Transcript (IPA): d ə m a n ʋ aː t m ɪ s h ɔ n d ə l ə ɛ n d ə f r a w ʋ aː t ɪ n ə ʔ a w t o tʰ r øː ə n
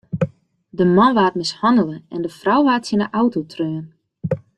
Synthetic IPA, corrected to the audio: d ə m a n ʋ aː t m ɪ s h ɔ n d ə l ə ɛ n d ə f r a w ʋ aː t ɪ n ə ʔ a w t o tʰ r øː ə n